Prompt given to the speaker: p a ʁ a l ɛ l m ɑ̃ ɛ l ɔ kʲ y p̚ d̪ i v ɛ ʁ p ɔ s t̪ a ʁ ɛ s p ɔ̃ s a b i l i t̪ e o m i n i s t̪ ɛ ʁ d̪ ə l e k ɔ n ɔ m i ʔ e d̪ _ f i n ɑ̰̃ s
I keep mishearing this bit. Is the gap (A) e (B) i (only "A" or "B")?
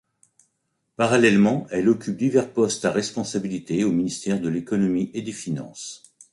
A